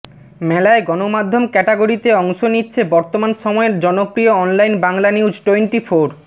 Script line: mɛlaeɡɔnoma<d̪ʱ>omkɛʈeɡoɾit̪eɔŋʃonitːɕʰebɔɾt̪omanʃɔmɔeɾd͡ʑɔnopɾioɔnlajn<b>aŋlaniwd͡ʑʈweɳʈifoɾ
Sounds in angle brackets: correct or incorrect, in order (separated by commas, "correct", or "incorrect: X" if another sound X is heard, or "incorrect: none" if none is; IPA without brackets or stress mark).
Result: incorrect: d̪ʱː, correct